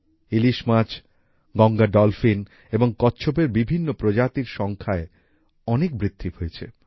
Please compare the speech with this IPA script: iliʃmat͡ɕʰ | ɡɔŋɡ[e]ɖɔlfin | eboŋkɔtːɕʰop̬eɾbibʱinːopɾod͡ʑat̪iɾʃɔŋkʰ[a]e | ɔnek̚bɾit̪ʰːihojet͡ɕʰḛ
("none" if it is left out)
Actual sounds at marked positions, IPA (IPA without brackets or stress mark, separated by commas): a, a